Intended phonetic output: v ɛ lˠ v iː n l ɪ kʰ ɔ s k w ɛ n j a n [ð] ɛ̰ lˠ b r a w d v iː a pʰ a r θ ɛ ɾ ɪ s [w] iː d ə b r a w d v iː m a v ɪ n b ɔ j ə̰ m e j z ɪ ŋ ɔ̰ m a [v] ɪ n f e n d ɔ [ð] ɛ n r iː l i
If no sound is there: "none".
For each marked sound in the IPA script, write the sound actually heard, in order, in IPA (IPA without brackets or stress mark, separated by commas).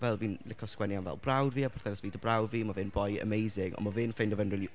v, v, v, v